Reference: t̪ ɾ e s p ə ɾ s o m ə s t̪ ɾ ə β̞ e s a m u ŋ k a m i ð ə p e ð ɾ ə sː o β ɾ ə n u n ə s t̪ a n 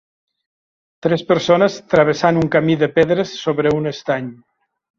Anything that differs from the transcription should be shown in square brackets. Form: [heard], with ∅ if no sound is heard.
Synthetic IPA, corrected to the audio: t̪ ɾ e s p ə ɾ s o [n] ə s t̪ ɾ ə β̞ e s a [n] u ŋ k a m i ð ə p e ð ɾ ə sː o β ɾ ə [∅] u n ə s t̪ a [ɲ]